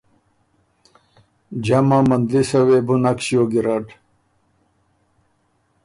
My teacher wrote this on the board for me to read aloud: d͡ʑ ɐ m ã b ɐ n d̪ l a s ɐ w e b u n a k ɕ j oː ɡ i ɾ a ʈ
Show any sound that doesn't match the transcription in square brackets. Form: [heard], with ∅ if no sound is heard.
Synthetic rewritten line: d͡ʑ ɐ m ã [m] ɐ n d̪ l [i] s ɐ w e b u n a k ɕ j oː ɡ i ɾ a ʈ